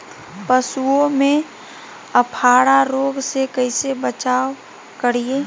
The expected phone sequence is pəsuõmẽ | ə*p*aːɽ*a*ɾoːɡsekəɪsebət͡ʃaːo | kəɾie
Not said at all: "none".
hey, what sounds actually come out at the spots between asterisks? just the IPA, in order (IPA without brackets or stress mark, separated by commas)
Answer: pʰ, a